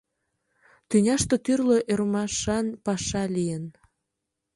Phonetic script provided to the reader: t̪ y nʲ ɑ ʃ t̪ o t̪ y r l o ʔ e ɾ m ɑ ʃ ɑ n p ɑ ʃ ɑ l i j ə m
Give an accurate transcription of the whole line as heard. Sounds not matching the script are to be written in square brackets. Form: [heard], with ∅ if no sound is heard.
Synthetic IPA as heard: t̪ y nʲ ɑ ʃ t̪ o t̪ y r l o ʔ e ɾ m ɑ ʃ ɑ n p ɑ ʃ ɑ l i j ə [n]